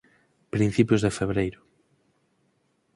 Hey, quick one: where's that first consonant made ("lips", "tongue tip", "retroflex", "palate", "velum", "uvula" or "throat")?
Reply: lips